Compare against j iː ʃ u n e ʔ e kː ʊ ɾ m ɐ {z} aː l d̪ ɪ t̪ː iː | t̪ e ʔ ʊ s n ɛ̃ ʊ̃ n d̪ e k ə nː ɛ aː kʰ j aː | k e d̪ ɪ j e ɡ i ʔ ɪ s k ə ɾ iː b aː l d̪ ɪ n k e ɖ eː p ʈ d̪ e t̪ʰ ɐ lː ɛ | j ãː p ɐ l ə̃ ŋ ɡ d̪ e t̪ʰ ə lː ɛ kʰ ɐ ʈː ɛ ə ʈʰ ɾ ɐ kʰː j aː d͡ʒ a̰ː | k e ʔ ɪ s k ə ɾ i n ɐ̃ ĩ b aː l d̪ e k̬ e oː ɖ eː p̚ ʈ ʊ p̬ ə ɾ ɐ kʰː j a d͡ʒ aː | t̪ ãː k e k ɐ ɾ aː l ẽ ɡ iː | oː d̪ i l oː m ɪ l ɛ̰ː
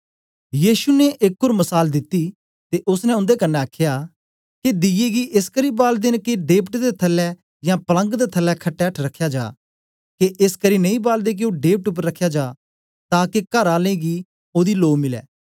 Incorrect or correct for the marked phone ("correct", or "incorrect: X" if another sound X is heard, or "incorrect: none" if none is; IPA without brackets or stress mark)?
incorrect: s